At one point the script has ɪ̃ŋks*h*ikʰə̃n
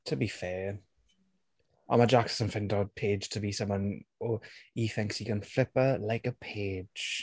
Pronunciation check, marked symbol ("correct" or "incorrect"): correct